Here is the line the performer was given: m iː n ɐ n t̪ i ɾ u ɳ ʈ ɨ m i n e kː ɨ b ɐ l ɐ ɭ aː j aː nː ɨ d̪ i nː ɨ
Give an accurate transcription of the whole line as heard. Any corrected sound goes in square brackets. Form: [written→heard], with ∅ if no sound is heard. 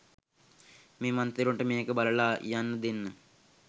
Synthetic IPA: m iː [n→m] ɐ n t̪ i ɾ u ɳ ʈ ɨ m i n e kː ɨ b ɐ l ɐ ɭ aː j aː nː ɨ d̪ i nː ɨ